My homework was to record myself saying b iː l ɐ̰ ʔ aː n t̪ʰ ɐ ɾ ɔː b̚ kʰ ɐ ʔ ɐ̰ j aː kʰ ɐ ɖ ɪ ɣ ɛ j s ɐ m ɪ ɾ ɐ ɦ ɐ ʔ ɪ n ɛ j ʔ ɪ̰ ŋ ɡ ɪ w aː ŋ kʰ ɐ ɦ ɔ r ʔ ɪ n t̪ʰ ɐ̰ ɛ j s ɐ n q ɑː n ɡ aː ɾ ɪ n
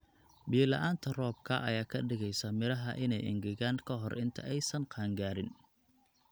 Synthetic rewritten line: b iː l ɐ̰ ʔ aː n t̪ʰ ɐ r ɔː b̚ kʰ ɐ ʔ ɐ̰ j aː kʰ ɐ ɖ ɪ ɣ ɛ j s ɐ m ɪ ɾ ɐ ɦ ɐ ʔ ɪ n ɛ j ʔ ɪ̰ ŋ ɡ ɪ ɣ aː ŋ kʰ ɐ ɦ ɔ r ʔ ɪ n t̪ʰ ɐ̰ ɛ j s ɐ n q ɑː ŋ ɡ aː ɾ ɪ n